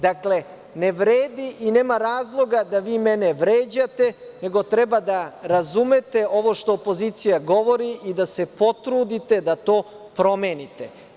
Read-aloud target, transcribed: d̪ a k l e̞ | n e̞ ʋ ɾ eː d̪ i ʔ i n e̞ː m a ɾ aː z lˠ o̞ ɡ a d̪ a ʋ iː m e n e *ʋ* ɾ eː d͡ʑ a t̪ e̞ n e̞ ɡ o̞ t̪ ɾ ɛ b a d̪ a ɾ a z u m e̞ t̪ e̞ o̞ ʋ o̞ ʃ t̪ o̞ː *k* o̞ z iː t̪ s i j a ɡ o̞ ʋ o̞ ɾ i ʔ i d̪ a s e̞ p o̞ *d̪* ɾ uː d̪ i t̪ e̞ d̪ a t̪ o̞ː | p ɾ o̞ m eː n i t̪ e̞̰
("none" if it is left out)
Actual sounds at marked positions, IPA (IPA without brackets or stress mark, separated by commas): ʋ, p, t̪